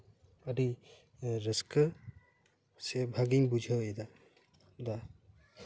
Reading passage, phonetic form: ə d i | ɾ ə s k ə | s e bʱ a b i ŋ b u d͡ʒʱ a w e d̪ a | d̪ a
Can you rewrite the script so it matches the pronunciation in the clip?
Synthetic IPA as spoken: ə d i | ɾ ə s k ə | s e bʱ a ɡ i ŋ b u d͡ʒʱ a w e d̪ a | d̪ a